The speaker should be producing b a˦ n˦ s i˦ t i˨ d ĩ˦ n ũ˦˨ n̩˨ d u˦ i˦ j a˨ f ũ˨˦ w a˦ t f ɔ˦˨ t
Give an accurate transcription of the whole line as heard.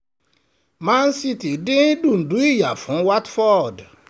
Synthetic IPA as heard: m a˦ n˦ s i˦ t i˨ d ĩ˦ d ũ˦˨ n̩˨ d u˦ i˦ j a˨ f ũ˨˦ w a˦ t f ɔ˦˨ d